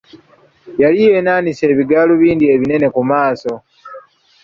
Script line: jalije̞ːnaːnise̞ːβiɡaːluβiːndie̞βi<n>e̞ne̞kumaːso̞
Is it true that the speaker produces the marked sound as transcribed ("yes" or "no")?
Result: yes